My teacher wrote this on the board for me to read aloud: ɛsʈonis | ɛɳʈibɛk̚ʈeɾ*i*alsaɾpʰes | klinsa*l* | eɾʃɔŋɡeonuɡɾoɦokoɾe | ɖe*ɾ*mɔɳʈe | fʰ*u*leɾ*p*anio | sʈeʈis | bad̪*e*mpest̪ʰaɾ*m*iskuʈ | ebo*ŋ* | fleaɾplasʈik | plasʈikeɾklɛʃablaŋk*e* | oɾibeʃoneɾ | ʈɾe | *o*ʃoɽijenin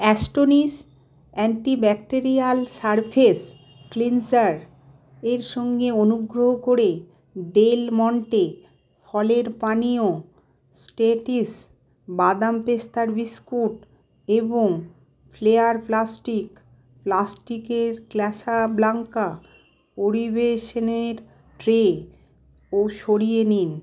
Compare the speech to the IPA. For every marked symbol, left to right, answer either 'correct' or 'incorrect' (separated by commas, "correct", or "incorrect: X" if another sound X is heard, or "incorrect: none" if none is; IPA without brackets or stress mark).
correct, incorrect: ɾ, incorrect: l, incorrect: ɔ, correct, incorrect: a, incorrect: b, correct, incorrect: a, correct